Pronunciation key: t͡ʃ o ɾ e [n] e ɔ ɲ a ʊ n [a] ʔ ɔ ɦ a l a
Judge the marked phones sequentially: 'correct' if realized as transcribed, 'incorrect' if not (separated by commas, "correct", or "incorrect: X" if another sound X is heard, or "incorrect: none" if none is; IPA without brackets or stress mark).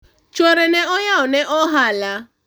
correct, incorrect: e